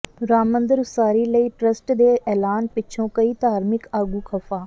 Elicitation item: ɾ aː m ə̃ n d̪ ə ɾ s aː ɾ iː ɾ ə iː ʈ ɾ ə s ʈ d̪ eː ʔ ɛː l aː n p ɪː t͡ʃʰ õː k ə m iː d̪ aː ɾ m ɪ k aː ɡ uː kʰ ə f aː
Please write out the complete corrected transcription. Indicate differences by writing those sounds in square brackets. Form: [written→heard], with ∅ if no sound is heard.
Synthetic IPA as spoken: ɾ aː m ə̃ n d̪ ə ɾ s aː ɾ iː [ɾ→l] ə iː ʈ ɾ ə s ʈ d̪ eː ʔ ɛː l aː n p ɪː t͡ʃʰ õː k ə [m→∅] iː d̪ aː ɾ m ɪ k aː ɡ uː kʰ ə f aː

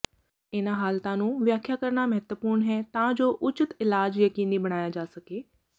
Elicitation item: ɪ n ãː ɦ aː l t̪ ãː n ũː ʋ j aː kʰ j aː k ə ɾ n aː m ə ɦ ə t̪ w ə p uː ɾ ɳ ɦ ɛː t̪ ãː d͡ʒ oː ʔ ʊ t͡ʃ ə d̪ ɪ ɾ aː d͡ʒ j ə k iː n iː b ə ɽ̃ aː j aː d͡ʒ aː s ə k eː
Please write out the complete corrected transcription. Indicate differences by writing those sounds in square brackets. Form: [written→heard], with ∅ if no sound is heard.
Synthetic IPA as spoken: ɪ n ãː ɦ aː l t̪ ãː n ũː ʋ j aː kʰ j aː k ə ɾ n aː m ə ɦ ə t̪ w ə p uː ɾ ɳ ɦ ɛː t̪ ãː d͡ʒ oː ʔ ʊ t͡ʃ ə [d̪→t̪] ɪ [ɾ→l] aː d͡ʒ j ə k iː n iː b ə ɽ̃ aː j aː d͡ʒ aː s ə k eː

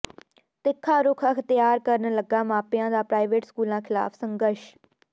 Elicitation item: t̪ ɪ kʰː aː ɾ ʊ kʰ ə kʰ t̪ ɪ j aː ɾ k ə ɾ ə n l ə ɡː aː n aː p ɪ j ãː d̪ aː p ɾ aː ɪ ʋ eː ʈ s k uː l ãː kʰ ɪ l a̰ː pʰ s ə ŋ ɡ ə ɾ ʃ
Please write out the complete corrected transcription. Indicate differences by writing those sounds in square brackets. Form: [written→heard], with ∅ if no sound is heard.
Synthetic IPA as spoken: t̪ ɪ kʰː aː ɾ ʊ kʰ ə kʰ t̪ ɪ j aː ɾ k ə ɾ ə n l ə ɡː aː [n→m] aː p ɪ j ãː d̪ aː p ɾ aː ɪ ʋ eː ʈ s k uː l ãː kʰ ɪ l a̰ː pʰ s ə ŋ ɡ ə ɾ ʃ

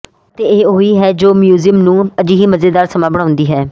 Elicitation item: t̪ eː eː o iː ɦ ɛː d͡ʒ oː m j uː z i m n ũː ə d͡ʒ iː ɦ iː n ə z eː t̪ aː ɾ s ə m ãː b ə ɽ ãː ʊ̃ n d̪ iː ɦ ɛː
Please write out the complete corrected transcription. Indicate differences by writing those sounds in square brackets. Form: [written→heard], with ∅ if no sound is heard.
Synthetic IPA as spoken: t̪ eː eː o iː ɦ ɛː d͡ʒ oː m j uː z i m n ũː ə d͡ʒ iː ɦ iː [n→m] ə z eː [t̪→d̪] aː ɾ s ə m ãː b ə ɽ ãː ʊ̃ n d̪ iː ɦ ɛː

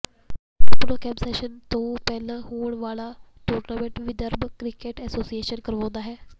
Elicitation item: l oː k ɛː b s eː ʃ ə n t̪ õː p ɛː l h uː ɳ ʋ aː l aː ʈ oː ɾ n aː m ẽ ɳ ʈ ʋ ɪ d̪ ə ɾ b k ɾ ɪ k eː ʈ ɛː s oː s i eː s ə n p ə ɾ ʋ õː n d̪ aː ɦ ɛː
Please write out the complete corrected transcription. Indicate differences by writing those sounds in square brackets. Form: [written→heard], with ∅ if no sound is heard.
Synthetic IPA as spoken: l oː k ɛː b s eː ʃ ə n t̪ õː p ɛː l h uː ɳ ʋ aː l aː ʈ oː ɾ n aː m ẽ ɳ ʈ ʋ ɪ d̪ ə ɾ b k ɾ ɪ k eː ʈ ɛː s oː s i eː [s→ʃ] ə n [p→k] ə ɾ ʋ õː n d̪ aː ɦ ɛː

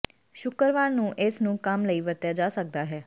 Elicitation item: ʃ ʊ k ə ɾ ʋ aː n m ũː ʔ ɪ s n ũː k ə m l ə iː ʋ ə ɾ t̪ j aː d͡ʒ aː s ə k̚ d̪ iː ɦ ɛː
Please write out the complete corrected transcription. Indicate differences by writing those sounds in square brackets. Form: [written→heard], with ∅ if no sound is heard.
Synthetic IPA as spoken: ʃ ʊ k ə ɾ ʋ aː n [m→n] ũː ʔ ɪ s n ũː k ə m l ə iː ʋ ə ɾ t̪ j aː d͡ʒ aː s ə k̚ d̪ [iː→aː] ɦ ɛː

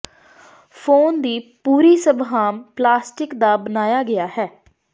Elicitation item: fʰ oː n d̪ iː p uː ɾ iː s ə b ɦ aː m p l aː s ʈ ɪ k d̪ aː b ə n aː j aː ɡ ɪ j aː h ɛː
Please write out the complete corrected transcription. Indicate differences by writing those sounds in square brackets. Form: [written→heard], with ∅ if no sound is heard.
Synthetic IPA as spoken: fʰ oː n d̪ iː p uː ɾ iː s ə b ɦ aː m p l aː s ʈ ɪ k d̪ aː b ə n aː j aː ɡ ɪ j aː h ɛː

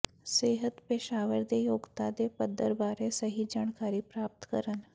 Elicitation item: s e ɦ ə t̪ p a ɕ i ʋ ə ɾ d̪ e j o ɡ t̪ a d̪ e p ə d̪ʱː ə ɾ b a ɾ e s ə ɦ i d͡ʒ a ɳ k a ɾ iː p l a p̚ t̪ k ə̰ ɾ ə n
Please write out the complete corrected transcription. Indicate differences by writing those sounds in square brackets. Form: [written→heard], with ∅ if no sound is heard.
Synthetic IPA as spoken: s e ɦ ə t̪ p [a→e] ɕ [i→a] ʋ ə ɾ d̪ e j o ɡ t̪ a d̪ e p ə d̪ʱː ə ɾ b a ɾ e s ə ɦ i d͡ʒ a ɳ k a ɾ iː p [l→ɾ] a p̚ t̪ k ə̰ ɾ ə n

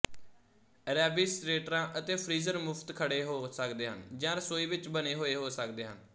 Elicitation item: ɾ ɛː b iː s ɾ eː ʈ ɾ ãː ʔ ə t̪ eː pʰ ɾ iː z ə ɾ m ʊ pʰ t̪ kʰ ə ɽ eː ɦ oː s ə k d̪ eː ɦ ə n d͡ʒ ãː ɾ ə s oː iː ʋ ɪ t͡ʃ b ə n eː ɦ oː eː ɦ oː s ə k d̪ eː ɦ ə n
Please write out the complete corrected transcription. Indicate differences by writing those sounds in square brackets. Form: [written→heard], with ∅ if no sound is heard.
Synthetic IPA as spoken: ɾ ɛː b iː s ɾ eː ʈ ɾ ãː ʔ ə t̪ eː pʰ ɾ iː z ə ɾ m ʊ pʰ t̪ kʰ ə ɽ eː ɦ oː s ə k d̪ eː ɦ ə n d͡ʒ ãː ɾ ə s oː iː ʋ ɪ t͡ʃ b ə n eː ɦ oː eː ɦ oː s ə k d̪ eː ɦ ə n

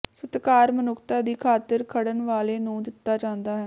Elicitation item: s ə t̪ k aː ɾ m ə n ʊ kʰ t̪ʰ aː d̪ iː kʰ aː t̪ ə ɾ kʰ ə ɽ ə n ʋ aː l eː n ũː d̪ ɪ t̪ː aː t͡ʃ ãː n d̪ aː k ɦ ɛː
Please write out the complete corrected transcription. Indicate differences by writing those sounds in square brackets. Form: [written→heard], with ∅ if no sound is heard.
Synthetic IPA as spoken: s ə t̪ k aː ɾ m ə n ʊ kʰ [t̪ʰ→t̪] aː d̪ iː kʰ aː t̪ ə ɾ kʰ ə ɽ ə n ʋ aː l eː n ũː d̪ ɪ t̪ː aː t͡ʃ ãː n d̪ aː [k→∅] ɦ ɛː

